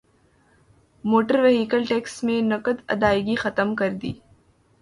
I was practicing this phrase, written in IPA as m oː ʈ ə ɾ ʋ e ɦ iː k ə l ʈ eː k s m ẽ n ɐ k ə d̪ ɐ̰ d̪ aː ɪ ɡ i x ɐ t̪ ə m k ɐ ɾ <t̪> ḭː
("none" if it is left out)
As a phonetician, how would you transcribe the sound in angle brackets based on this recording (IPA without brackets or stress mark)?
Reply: d̪